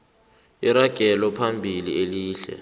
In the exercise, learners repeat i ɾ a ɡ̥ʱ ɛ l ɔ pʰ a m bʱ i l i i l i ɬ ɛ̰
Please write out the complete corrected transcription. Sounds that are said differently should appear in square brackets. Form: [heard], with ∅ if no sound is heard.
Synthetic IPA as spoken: i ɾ a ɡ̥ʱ ɛ l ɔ pʰ a m bʱ i l i [e] l [iː] ɬ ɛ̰

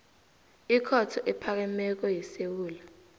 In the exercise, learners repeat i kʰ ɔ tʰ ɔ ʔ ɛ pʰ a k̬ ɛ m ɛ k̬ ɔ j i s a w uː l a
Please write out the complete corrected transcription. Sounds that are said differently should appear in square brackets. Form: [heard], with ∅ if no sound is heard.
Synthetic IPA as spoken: i kʰ ɔ tʰ ɔ ʔ ɛ pʰ a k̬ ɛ m ɛ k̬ ɔ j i s [e] w uː l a

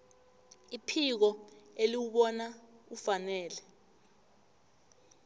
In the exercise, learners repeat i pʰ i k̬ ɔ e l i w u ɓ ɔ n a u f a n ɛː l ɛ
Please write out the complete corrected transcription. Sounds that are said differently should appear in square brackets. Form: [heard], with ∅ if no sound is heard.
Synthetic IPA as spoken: i pʰ i k̬ ɔ e l i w u ɓ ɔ n a u f a n ɛː l ɛ

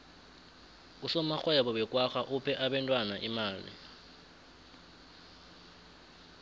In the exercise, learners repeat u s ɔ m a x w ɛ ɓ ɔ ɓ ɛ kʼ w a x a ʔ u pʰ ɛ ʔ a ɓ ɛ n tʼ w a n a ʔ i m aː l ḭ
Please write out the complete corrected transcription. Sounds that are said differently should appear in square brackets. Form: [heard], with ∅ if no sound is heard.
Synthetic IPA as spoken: u s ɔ m a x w ɛ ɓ ɔ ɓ ɛ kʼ w a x a ʔ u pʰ ɛ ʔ a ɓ ɛ n tʼ w a n a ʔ i m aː l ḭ

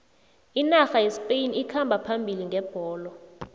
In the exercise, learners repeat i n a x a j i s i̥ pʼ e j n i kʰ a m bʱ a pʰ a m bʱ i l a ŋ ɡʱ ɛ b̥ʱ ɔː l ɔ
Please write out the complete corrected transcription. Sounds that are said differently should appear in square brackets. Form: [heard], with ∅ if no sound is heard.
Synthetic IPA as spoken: i n a x a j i s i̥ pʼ e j n i kʰ a m bʱ a pʰ a m bʱ i l [i] ŋ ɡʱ ɛ b̥ʱ ɔː l ɔ

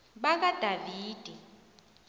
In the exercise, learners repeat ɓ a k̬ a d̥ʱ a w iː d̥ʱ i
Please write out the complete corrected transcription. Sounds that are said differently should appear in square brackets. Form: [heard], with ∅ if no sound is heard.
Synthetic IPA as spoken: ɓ a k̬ a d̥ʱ a [v] iː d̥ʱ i

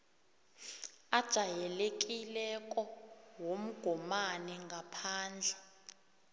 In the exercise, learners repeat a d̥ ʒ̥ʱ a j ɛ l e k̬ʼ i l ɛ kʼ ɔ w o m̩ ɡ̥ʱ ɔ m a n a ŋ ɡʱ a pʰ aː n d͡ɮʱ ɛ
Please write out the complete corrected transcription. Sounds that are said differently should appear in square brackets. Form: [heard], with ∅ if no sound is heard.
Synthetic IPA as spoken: a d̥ ʒ̥ʱ a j ɛ l e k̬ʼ i l ɛ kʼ ɔ w o m̩ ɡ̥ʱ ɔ m a n [ɛ] ŋ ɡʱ a pʰ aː n d͡ɮʱ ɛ

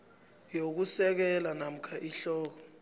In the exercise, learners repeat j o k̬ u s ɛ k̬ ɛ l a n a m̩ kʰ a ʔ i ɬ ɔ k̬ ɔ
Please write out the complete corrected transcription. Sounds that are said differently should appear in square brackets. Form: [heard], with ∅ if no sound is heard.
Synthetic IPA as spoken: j o k̬ u s ɛ k̬ ɛ l a n a m̩ kʰ a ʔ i ɬ [ɔː] k̬ ɔ

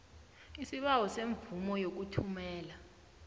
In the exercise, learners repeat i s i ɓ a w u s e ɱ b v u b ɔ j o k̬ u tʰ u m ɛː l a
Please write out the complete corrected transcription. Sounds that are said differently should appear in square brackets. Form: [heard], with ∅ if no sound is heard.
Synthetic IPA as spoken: i s i ɓ a w [ɔ] s e ɱ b v u [m] ɔ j o k̬ u tʰ u m ɛː l a

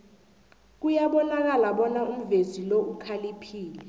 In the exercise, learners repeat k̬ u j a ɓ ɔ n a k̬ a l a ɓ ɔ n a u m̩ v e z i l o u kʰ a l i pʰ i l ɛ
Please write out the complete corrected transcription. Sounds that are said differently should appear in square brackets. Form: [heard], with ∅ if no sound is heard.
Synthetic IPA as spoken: k̬ u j a ɓ ɔ n a k̬ a l a ɓ ɔ n a u m̩ v e z i l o u kʰ a l i pʰ [iː] l ɛ

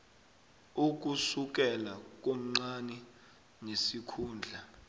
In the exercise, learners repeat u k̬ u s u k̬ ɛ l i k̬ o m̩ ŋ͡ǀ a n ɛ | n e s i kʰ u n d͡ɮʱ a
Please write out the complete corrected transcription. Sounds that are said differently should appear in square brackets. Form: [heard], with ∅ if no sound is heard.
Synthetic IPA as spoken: u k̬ u s u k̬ ɛ l [a] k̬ o m̩ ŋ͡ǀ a n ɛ | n e s i kʰ [uː] n d͡ɮʱ a

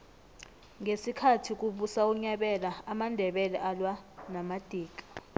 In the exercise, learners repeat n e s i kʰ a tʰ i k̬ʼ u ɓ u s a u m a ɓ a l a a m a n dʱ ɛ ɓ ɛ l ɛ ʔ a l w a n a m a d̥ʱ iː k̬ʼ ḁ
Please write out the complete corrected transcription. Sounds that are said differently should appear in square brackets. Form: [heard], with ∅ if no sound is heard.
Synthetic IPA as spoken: [ŋ] e s i kʰ a tʰ i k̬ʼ u ɓ u s a u [ɲ] a ɓ [ɛ] l a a m a n dʱ ɛ ɓ ɛ l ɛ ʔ a l w a n a m a d̥ʱ iː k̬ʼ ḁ

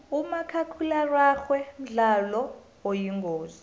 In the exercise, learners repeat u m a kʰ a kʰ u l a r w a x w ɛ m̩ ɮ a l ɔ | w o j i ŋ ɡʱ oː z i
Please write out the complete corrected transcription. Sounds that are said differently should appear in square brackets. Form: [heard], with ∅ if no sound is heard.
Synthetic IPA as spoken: u m a kʰ a kʰ u l a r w a x w ɛ m̩ ɮ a l ɔ | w o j i ŋ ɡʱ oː z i

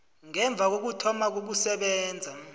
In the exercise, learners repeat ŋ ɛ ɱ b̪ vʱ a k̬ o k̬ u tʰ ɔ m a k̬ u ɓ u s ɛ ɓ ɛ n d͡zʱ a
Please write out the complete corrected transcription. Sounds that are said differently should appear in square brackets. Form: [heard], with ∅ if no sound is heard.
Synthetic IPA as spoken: ŋ ɛ ɱ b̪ vʱ a k̬ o k̬ u tʰ ɔ m a k̬ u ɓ u s ɛ ɓ [ɛː] n d͡zʱ a

